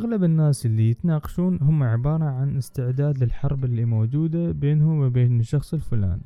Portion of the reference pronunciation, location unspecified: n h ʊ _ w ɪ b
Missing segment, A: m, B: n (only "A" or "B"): A